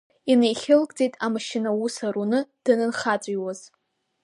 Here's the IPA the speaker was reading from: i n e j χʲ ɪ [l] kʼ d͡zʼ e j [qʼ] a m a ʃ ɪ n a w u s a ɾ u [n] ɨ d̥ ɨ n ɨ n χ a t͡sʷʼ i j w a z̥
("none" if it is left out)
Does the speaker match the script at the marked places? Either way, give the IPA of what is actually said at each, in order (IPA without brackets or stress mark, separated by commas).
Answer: l, tʼ, n